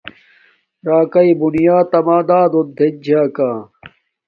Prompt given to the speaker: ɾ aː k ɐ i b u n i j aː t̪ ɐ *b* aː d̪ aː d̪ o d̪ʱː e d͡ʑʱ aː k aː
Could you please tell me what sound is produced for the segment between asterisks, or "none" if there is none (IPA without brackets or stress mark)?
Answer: m